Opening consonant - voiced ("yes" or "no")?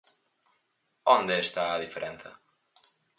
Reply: yes